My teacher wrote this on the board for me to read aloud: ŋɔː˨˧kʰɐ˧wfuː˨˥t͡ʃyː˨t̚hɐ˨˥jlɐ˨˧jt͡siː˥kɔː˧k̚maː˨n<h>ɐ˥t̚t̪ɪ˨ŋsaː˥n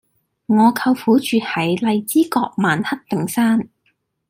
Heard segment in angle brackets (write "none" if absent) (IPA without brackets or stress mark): h